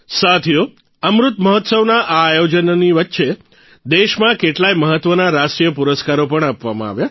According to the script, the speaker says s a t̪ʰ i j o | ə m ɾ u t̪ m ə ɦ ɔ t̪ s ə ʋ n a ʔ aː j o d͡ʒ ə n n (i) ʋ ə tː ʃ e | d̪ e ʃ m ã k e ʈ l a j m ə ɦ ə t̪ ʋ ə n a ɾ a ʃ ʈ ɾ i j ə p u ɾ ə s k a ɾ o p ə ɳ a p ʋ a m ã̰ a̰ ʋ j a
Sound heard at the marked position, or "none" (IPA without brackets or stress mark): i